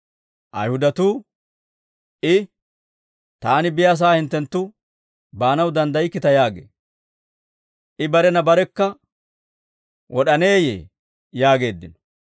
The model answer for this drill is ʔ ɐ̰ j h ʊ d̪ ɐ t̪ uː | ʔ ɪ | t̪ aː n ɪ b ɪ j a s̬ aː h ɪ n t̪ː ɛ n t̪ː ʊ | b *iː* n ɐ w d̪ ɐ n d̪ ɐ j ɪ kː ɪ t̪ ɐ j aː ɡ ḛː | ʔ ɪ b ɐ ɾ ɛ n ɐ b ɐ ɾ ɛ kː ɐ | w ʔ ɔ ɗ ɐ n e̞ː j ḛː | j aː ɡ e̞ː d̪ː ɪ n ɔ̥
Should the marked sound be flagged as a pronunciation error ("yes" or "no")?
yes